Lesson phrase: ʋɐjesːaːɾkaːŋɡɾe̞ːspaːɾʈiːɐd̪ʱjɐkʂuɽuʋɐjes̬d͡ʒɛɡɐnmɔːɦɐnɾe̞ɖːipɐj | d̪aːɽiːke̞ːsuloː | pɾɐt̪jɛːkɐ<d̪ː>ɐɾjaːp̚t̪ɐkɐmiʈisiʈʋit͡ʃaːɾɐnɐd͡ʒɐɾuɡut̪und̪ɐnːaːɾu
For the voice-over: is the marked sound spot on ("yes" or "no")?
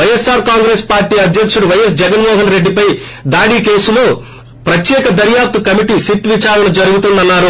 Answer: no